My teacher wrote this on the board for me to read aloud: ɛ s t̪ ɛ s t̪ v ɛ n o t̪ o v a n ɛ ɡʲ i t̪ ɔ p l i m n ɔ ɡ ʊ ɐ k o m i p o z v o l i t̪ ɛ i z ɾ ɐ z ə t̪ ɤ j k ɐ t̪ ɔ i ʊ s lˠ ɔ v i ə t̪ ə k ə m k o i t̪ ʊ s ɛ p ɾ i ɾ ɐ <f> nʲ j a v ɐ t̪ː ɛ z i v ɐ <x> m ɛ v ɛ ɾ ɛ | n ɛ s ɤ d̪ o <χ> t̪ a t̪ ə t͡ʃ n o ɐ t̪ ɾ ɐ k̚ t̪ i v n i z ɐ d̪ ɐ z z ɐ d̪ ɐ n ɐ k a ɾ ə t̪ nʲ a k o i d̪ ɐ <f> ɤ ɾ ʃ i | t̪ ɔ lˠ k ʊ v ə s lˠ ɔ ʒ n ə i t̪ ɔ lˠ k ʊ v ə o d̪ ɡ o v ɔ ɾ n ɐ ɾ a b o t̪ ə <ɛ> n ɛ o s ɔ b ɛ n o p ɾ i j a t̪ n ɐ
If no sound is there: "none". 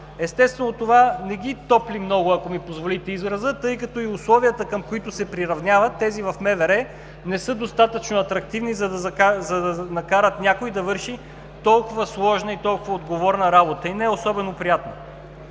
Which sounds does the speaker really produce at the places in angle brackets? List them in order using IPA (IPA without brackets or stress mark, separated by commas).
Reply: v, f, s, v, i